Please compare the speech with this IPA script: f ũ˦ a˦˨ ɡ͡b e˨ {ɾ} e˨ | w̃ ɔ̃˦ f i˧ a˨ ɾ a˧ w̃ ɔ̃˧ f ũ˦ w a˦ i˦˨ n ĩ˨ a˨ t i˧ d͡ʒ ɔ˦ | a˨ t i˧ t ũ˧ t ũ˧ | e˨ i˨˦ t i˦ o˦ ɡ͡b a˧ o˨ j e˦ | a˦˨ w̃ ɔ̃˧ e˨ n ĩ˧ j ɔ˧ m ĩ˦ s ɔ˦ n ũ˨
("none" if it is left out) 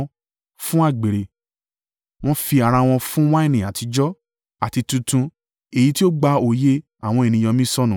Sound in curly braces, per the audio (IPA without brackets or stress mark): ɾ